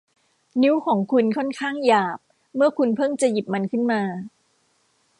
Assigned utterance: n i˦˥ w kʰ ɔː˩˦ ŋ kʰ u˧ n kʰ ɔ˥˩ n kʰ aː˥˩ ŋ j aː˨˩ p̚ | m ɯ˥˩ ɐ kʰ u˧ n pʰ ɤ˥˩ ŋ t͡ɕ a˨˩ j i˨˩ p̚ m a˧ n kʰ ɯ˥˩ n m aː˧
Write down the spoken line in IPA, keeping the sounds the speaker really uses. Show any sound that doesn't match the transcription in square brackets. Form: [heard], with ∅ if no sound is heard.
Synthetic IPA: n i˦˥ w kʰ ɔː˩˦ ŋ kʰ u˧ n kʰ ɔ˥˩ n kʰ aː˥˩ ŋ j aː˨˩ p̚ | m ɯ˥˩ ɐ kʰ u˧ n pʰ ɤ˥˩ ŋ t͡ɕ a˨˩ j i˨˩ p̚ m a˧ n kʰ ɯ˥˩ n m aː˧